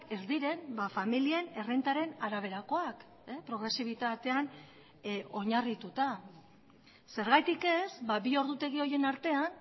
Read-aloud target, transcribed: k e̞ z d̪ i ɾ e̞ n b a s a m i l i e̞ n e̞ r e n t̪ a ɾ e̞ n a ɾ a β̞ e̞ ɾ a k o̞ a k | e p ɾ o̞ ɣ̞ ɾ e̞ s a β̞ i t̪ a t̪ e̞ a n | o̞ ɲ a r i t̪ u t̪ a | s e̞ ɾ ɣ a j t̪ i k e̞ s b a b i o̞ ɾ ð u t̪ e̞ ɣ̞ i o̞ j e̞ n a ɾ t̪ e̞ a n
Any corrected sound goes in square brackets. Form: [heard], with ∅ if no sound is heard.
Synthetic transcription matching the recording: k e̞ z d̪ i ɾ e̞ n b a [f] a m i l i e̞ n e̞ r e n t̪ a ɾ e̞ n a ɾ a β̞ e̞ ɾ a k o̞ a k | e p ɾ o̞ ɣ̞ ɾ e̞ s [i] β̞ i t̪ a t̪ e̞ a n | o̞ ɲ a r i t̪ u t̪ a | s e̞ ɾ ɣ a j t̪ i k e̞ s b a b i o̞ ɾ ð u t̪ e̞ ɣ̞ i o̞ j e̞ n a ɾ t̪ e̞ a n